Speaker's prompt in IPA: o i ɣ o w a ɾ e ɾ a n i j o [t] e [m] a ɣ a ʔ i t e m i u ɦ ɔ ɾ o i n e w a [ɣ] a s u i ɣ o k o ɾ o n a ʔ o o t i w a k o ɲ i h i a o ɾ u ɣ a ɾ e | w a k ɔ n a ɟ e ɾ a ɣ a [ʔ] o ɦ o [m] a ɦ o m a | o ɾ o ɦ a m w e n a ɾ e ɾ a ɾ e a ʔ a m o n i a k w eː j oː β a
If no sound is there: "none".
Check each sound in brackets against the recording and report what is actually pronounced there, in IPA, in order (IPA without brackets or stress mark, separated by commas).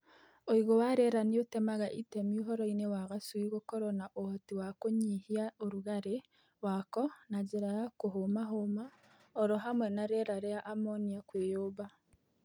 t, m, ɣ, k, m